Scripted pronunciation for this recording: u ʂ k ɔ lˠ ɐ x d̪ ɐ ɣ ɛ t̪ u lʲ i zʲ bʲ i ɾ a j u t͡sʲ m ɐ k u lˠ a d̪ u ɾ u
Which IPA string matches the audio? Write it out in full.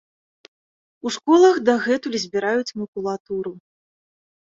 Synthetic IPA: u ʂ k ɔ lˠ ɐ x d̪ ɐ ɣ ɛ t̪ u lʲ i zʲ bʲ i ɾ a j u t͡sʲ m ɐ k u lˠ a t̪ u ɾ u